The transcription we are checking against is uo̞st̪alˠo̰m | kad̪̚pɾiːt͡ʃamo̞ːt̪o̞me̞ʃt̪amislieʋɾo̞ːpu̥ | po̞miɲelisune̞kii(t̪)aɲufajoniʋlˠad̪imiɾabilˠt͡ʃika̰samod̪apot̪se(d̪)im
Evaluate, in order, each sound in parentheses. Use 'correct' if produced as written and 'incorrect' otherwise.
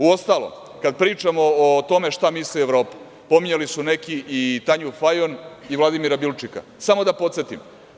correct, incorrect: t̪

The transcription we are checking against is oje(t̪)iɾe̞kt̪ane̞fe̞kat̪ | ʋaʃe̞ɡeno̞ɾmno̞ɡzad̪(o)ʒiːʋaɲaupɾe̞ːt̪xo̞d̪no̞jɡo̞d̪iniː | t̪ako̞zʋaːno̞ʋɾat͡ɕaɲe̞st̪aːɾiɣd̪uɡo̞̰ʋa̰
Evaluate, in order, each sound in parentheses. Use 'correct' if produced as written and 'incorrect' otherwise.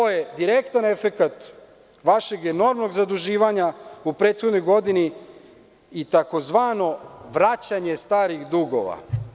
incorrect: d̪, incorrect: u

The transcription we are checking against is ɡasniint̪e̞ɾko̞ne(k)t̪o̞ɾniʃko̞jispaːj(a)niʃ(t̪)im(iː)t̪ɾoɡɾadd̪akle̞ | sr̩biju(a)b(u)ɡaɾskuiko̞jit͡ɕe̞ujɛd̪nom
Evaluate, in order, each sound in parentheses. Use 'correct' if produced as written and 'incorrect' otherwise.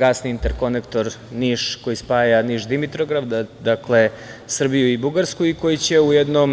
correct, correct, incorrect: d̪, incorrect: i, incorrect: i, correct

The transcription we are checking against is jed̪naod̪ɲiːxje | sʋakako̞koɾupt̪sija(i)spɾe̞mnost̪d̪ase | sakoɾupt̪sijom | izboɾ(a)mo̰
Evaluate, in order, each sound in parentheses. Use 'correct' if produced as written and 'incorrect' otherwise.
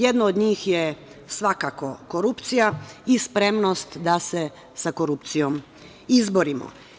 correct, incorrect: i

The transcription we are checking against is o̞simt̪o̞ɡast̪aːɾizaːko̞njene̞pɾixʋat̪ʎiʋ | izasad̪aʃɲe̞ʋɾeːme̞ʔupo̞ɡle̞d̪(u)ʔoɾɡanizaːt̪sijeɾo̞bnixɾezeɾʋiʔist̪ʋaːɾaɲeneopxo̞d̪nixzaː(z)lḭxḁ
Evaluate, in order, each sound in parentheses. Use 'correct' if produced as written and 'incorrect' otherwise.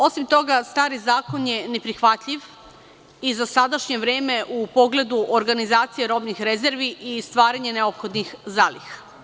correct, incorrect: none

